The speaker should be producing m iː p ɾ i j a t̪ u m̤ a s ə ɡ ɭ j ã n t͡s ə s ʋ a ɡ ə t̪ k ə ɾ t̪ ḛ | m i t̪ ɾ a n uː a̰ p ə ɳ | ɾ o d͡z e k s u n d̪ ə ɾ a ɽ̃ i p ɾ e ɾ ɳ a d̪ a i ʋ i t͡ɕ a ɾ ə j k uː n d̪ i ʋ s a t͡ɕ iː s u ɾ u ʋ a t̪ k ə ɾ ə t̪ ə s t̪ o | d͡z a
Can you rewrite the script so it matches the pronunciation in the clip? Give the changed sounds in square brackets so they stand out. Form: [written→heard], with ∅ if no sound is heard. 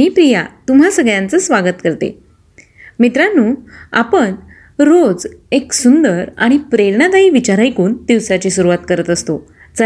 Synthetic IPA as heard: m iː p ɾ i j a t̪ u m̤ a s ə ɡ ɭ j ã n t͡s ə s ʋ a ɡ ə t̪ k ə ɾ t̪ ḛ | m i t̪ ɾ a n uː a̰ p ə ɳ | ɾ o d͡z e k s u n d̪ ə ɾ a ɽ̃ i p ɾ e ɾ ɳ a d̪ a i ʋ i t͡ɕ a ɾ [ə→a] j k uː n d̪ i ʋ s a t͡ɕ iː s u ɾ u ʋ a t̪ k ə ɾ ə t̪ ə s t̪ o | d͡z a